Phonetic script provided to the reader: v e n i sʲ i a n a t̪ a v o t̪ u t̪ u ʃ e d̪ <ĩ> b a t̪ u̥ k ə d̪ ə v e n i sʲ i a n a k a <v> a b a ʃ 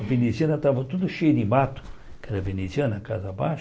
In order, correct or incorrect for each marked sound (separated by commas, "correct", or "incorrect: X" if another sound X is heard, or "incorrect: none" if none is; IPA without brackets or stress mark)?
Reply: incorrect: i, incorrect: z